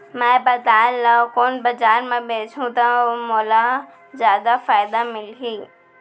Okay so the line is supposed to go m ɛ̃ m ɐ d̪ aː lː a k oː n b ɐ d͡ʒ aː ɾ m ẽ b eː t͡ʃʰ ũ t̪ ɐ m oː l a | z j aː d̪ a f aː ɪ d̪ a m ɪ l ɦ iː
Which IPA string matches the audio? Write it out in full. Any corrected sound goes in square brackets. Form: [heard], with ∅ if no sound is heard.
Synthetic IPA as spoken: m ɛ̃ [b] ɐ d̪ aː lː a k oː n b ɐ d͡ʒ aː ɾ m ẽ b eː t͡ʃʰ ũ t̪ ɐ m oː l a | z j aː d̪ a f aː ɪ d̪ a m ɪ l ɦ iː